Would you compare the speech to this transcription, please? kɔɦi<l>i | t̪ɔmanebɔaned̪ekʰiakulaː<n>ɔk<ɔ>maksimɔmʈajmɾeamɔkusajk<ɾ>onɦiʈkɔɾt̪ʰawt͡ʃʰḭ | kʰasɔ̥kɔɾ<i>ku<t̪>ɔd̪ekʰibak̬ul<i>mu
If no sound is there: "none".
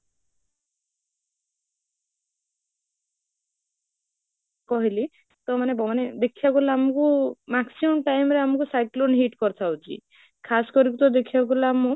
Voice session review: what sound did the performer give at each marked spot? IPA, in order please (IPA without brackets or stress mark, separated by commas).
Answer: l, m, u, l, i, t̪, a